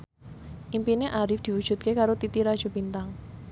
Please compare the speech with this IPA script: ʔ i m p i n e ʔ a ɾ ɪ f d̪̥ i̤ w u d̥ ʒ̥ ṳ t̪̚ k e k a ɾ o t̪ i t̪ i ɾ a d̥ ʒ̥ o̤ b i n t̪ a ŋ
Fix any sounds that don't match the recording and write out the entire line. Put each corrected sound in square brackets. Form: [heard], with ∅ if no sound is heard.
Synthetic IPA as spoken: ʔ i m p i n e ʔ a ɾ ɪ f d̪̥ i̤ w u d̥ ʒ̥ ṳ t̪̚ k e k a ɾ o t̪ i t̪ i ɾ a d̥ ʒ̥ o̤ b i n t̪ a ŋ